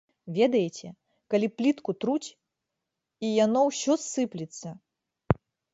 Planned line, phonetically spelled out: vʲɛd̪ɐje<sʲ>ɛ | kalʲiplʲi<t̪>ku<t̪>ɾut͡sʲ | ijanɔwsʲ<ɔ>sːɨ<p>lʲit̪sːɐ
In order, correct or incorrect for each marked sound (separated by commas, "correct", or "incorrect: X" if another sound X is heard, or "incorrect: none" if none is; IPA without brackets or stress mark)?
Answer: incorrect: t͡sʲ, correct, correct, correct, correct